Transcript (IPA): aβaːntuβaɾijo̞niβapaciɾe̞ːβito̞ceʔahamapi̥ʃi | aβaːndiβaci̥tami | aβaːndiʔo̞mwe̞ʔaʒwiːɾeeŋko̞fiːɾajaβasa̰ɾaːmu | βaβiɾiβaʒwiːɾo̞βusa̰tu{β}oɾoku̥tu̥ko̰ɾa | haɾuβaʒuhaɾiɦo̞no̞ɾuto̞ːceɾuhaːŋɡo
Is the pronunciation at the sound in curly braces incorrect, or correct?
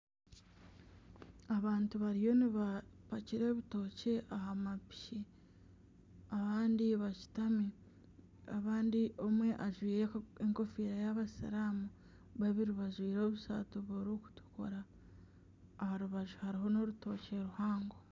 correct